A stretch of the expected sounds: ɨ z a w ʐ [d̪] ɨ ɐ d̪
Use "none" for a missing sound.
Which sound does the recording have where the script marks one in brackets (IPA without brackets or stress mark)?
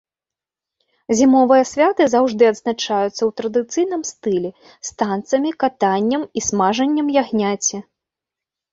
d̪